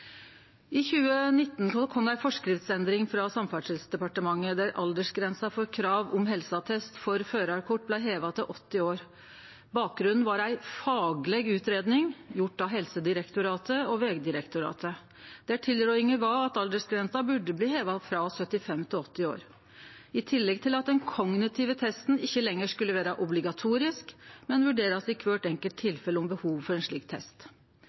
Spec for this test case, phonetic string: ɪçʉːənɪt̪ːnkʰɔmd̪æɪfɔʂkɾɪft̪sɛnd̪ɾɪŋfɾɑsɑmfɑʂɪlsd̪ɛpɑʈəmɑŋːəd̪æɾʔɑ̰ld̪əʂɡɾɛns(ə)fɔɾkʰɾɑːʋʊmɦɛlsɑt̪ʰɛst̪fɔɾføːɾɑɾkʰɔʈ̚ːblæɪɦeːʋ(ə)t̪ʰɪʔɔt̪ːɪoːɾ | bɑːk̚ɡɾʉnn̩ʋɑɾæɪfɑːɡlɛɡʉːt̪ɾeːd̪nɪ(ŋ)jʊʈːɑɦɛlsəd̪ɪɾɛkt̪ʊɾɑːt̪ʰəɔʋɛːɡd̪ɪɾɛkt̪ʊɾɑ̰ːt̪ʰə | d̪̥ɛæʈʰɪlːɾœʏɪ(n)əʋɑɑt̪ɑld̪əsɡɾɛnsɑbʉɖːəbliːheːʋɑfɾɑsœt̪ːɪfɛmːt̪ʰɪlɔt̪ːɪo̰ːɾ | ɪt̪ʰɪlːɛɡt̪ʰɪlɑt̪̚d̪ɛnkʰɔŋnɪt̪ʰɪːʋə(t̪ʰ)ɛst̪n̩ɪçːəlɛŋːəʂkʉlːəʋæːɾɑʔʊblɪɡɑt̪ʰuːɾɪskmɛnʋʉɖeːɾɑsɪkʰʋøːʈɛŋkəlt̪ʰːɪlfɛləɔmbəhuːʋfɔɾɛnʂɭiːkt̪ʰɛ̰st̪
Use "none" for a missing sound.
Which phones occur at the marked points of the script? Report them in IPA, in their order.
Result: ɑ, ɑ, ŋ, ŋ, t̪ʰ

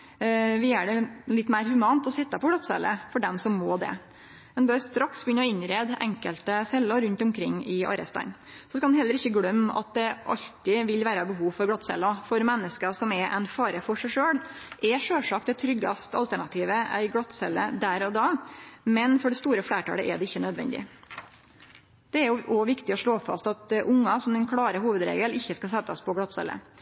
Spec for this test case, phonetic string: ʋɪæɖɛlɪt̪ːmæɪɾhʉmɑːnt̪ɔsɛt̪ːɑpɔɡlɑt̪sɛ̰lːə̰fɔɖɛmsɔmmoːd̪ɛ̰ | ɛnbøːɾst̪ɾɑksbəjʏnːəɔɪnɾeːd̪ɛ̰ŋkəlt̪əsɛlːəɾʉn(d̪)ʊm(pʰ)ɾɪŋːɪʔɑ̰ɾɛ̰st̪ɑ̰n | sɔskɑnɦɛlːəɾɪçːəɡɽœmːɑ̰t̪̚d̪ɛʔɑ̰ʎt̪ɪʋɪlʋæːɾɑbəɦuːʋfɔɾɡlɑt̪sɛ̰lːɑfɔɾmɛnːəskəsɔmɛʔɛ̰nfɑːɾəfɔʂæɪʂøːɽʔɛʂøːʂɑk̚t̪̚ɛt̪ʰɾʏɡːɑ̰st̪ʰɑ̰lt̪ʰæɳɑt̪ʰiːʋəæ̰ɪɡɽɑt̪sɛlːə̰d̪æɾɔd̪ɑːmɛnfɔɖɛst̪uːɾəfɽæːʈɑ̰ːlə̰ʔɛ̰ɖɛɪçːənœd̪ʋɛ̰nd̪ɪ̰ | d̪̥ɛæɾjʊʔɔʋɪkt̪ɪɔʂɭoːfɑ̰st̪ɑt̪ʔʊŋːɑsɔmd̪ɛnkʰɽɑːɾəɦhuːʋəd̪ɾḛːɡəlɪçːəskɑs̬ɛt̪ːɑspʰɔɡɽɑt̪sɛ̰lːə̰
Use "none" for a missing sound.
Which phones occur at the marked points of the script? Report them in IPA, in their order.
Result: t̪, kʰ

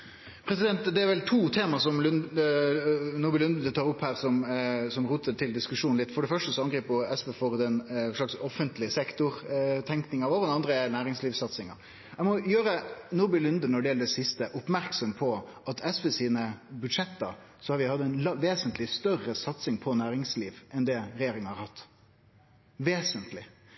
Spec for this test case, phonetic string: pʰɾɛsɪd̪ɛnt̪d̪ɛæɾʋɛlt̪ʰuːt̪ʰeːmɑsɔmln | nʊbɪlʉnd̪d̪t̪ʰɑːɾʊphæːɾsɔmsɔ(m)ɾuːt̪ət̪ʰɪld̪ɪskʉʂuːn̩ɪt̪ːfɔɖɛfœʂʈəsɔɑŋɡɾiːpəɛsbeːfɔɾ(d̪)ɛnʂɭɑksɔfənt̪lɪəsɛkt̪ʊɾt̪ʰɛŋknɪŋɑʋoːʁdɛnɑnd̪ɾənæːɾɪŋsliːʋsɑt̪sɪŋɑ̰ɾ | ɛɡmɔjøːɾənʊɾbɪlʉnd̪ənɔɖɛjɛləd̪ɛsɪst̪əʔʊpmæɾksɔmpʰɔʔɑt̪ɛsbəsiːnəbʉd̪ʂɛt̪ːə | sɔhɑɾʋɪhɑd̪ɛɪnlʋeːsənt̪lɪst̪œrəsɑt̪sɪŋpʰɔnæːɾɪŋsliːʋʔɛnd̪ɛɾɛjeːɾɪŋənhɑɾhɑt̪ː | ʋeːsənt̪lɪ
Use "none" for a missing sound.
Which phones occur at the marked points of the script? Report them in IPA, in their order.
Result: m, d̪

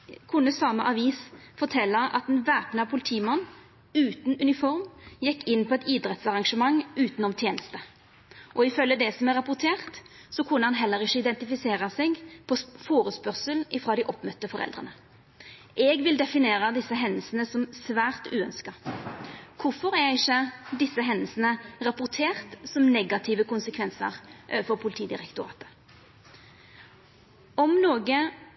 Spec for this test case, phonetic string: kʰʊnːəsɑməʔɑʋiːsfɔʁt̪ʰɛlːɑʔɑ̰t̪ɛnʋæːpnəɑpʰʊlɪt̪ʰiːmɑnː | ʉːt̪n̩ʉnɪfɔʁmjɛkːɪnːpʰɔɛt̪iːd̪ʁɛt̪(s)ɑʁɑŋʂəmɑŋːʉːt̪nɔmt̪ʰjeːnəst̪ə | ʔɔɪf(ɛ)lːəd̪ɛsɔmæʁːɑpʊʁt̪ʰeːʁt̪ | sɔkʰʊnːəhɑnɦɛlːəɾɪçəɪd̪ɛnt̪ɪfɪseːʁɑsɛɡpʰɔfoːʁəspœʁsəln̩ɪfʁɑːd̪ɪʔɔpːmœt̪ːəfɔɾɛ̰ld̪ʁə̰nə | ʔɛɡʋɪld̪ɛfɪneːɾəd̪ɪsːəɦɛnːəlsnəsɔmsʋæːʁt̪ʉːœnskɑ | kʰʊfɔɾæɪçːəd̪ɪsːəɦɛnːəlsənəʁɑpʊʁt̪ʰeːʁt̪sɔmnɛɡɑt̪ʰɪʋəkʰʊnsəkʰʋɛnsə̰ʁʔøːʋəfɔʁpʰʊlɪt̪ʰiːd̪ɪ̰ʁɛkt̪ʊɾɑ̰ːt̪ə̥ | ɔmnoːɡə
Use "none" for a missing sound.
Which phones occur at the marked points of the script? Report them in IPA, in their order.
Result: s, œ

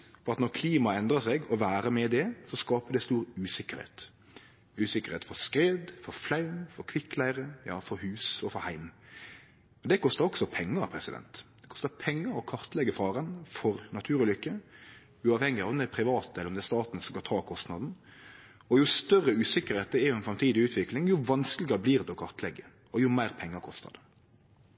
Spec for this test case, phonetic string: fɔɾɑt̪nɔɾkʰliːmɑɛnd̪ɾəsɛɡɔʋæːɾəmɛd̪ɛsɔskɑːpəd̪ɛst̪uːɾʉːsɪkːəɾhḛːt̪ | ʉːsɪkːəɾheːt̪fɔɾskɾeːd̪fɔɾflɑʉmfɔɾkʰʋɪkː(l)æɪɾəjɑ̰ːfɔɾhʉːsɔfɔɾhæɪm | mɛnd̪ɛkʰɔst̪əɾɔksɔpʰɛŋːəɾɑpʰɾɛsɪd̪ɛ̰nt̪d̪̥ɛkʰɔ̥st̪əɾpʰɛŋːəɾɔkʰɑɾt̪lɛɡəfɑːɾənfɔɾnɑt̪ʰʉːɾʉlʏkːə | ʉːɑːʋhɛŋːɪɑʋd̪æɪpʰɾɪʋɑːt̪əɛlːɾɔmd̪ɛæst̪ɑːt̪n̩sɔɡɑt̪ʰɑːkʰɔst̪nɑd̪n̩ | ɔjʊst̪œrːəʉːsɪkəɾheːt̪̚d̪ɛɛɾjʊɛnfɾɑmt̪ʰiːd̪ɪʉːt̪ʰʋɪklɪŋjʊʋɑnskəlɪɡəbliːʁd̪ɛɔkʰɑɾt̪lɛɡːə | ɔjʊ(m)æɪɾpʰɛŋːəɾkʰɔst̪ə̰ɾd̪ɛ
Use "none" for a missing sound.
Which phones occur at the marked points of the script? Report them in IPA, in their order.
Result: l, m

